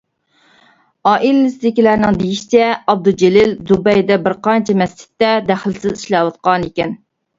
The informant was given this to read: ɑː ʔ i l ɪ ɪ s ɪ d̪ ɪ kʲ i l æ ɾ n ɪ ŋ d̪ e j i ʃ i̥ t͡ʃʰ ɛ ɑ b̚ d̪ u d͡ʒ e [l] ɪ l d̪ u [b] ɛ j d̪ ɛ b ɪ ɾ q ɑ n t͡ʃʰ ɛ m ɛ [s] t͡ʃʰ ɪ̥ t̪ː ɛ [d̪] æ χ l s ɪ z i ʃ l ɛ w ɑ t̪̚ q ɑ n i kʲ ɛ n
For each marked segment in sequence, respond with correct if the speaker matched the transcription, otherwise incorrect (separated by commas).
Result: correct, correct, correct, correct